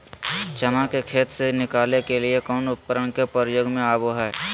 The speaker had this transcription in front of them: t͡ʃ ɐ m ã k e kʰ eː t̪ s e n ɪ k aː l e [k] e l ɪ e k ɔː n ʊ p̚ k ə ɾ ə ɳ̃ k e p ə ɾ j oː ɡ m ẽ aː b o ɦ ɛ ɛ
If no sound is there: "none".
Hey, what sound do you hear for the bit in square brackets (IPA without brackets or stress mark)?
k